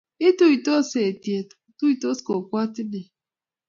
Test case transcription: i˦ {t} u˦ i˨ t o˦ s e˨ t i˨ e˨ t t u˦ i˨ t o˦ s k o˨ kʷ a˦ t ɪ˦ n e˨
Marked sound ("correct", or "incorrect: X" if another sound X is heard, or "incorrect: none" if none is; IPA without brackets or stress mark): correct